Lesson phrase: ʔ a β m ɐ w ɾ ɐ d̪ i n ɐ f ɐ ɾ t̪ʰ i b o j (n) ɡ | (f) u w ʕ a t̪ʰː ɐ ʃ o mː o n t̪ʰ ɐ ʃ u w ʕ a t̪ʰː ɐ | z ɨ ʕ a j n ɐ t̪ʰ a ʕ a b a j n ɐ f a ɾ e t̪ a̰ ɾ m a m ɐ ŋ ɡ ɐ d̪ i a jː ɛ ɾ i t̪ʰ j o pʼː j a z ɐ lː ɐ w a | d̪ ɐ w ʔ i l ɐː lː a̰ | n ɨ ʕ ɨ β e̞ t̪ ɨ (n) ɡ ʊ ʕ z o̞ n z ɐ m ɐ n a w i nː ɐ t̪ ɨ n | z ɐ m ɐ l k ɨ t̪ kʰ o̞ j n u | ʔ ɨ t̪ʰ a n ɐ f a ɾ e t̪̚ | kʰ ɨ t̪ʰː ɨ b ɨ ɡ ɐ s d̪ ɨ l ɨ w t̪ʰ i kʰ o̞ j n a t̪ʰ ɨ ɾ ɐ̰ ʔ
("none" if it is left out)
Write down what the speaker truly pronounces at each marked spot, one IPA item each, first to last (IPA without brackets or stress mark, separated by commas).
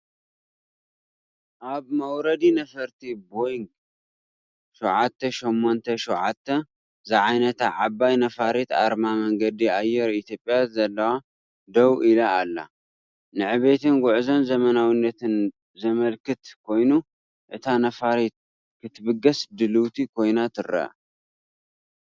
ŋ, ʃ, n